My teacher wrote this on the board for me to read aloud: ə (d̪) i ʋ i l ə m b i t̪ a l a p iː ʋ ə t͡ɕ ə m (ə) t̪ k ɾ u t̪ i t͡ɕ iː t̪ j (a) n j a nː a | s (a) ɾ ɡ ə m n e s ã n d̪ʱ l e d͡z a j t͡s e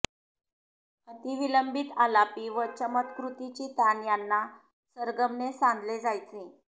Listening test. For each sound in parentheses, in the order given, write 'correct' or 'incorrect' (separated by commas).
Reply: incorrect, correct, correct, incorrect